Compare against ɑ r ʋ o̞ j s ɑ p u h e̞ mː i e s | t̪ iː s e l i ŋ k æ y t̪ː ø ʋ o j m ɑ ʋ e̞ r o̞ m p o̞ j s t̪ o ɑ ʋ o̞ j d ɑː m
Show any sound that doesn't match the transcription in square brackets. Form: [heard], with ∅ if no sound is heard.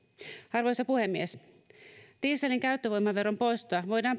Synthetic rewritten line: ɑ r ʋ o̞ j s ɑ p u h e̞ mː i e s | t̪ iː s e l i ŋ k æ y t̪ː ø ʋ o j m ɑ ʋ e̞ r o̞ m p o̞ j s t̪ o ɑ ʋ o̞ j d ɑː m

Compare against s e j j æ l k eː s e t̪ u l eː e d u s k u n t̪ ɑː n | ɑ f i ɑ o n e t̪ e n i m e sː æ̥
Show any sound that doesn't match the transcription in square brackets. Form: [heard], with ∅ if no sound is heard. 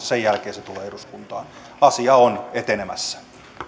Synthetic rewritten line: s e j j æ l k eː s e t̪ u l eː e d u s k u n t̪ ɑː n | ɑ [s] i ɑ o n e t̪ e n [e] m [æ] sː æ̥

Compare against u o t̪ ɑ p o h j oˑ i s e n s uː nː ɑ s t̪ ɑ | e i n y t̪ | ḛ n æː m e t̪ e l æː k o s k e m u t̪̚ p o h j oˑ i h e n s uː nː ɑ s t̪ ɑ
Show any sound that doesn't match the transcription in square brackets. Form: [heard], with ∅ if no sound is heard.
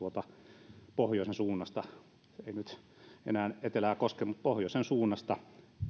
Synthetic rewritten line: u o t̪ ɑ p o h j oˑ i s e n s uː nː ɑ s t̪ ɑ | e i n y t̪ | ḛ n æː [n] e t̪ e l æː k o s k e m u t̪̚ p o h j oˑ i [s] e n s uː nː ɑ s t̪ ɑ

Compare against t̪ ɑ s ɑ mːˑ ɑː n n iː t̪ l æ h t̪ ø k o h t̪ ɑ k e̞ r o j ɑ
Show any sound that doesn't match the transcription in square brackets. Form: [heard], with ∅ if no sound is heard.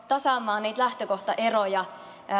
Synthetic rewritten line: t̪ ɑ s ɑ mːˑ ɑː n n iː t̪ l æ h t̪ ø k o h t̪ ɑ [ʔ] e̞ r o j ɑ

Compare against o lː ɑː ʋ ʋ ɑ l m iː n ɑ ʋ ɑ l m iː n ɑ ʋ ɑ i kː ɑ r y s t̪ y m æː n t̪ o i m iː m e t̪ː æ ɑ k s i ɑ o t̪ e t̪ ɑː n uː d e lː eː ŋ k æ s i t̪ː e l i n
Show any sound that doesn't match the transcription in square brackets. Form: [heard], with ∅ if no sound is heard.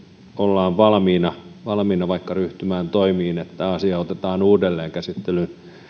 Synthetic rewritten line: o lː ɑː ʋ ʋ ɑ l m iː n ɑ ʋ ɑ l m iː n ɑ ʋ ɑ i kː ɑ r y [h] t̪ y m æː n t̪ o i m iː [n] e t̪ː æ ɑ [∅] s i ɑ o t̪ e t̪ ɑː n uː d e lː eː ŋ k æ s i t̪ː e l [y] n

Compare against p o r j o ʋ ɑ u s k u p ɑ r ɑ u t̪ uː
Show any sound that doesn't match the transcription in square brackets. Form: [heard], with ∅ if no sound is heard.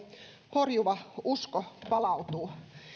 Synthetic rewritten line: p o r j [u] ʋ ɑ u s k [o] p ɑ [l] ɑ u t̪ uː

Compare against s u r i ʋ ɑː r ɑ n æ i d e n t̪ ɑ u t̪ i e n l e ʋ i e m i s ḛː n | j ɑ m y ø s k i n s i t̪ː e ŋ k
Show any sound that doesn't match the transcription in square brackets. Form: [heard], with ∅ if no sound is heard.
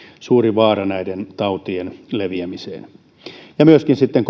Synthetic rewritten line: s [uː] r i ʋ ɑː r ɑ n æ i d e n t̪ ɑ u t̪ i e n l e ʋ i [æ] m i s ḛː n | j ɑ m y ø s k i n s i t̪ː e ŋ k

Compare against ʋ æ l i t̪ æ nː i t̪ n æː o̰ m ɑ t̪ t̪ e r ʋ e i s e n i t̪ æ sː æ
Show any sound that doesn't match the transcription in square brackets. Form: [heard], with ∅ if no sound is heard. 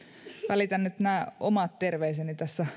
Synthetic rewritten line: ʋ æ l i t̪ æ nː [y] t̪ n æː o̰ m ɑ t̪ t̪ e r ʋ e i s e n i t̪ æ sː æ

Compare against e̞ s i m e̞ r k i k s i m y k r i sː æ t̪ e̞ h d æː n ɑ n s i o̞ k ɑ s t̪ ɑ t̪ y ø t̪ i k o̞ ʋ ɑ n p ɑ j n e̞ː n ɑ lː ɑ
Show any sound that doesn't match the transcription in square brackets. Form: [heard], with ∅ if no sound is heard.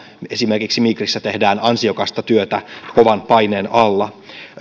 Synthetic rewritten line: e̞ s i m e̞ r k i k s i m [i] k r i sː æ t̪ e̞ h d æː n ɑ n s i o̞ k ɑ s t̪ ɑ t̪ y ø t̪ [æ] k o̞ ʋ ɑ n p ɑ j n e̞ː n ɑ lː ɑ

